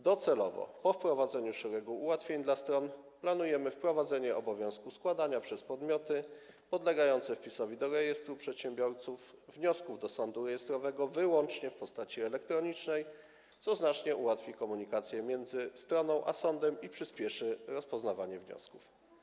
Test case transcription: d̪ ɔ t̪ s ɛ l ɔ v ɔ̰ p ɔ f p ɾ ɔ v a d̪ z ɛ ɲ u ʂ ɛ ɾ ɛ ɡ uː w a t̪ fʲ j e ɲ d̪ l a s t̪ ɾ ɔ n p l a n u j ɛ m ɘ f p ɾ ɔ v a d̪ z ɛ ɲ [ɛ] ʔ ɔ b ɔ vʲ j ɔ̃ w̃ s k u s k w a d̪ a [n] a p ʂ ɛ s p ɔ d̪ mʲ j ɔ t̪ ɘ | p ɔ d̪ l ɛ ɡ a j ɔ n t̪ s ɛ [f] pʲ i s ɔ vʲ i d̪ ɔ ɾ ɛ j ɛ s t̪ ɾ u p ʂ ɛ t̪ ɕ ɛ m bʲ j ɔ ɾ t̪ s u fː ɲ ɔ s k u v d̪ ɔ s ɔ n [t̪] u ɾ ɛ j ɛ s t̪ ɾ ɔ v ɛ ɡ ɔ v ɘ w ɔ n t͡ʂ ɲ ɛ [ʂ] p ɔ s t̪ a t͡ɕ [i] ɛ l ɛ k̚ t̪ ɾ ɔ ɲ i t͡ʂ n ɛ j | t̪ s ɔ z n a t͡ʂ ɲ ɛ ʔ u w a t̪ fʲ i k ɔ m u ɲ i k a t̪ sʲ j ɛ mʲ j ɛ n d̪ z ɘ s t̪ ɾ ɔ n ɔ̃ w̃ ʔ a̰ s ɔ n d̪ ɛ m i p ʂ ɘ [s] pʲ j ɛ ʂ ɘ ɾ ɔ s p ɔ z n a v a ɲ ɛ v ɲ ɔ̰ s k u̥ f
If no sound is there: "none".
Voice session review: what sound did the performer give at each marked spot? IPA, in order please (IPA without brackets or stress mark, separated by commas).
ɛ, ɲ, f, d̪, f, i, s